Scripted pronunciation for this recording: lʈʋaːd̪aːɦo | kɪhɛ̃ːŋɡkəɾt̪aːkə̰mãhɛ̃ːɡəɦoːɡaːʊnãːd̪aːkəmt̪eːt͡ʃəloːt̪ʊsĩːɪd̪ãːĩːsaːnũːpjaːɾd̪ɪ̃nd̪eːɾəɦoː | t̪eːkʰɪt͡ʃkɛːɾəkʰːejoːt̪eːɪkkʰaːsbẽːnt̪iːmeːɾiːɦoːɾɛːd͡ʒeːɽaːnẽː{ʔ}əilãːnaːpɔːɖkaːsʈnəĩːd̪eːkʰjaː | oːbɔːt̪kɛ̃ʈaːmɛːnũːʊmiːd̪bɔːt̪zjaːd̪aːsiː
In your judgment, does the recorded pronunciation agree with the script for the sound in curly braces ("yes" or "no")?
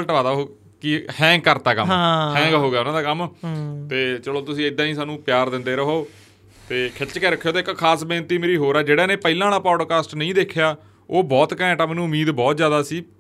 no